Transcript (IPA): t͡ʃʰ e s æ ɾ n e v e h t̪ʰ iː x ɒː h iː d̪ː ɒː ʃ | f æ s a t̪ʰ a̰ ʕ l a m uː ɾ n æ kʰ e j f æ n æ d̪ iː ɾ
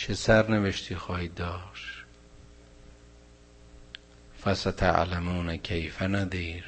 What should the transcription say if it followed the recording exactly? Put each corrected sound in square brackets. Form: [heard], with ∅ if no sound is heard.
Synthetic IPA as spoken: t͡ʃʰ e s æ ɾ n e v e [ʃ] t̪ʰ iː x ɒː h iː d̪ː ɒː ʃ | f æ s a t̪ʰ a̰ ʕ l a m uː [∅] n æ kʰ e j f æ n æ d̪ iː ɾ